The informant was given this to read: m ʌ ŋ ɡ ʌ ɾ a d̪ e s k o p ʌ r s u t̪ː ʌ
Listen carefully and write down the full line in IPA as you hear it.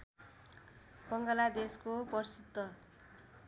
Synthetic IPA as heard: b ʌ ŋ ɡ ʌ l a d̪ e s k o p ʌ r s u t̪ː ʌ